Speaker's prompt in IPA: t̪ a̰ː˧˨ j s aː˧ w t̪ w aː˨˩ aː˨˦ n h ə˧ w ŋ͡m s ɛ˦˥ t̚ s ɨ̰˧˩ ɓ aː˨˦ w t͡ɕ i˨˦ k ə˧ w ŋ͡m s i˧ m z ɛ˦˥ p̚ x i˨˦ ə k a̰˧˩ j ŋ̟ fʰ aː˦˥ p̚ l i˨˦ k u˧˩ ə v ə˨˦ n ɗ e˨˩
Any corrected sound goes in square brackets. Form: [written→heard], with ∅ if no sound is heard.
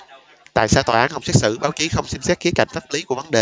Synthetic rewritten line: t̪ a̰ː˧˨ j s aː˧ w t̪ w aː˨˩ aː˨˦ n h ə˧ w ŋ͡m s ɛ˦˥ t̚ s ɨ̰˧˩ ɓ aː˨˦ w t͡ɕ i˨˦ [k→x] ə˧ w ŋ͡m s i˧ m [z→s] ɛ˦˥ [p̚→t̚] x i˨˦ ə k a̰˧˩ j ŋ̟ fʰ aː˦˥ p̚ l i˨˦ k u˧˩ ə v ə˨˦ n ɗ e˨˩